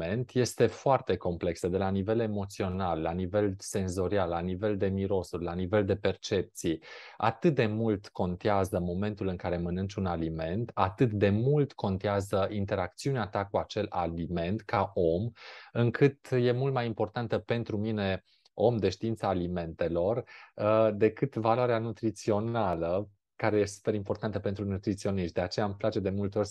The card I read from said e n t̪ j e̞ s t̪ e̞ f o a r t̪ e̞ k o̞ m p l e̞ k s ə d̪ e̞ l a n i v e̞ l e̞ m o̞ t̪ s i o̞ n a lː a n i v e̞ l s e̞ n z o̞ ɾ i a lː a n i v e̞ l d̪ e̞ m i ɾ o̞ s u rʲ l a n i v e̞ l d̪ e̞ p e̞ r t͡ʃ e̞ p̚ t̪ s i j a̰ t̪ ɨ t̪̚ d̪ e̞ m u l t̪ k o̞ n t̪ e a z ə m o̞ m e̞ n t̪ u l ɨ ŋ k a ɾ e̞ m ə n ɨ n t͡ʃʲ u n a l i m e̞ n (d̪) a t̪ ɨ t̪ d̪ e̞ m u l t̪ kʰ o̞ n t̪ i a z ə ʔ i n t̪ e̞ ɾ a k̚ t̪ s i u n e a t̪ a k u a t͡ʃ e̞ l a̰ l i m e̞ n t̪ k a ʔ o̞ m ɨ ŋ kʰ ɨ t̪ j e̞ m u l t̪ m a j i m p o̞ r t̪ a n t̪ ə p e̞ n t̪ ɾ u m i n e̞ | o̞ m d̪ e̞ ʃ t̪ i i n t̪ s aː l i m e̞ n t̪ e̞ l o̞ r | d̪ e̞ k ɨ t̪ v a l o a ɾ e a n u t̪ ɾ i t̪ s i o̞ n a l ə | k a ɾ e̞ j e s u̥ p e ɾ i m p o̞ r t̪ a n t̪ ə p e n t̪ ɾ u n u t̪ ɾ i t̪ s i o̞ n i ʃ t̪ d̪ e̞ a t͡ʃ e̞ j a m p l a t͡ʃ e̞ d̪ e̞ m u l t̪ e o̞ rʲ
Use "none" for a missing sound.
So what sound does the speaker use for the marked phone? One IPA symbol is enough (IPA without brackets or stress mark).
t̪